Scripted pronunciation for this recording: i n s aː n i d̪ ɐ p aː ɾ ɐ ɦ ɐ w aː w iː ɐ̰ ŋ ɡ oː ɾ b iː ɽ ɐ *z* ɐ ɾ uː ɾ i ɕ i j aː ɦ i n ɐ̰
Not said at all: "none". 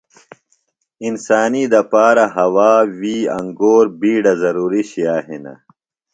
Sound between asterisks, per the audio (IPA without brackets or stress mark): z